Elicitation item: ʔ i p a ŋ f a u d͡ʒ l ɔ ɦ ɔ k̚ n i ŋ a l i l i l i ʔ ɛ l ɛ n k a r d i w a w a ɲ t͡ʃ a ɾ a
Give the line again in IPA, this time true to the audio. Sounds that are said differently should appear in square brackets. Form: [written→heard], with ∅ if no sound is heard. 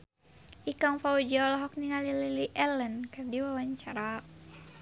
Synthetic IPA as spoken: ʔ i [p→k] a ŋ f a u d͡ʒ l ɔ ɦ ɔ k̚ n i ŋ a l i l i l i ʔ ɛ l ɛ n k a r d i w a w a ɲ t͡ʃ a ɾ a